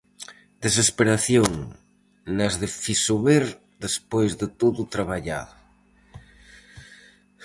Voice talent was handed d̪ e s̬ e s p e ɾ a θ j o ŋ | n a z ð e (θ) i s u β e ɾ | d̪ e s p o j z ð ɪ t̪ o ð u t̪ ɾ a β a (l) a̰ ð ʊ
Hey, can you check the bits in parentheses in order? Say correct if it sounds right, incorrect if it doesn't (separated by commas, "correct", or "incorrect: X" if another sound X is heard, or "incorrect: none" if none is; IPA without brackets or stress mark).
incorrect: f, incorrect: ʎ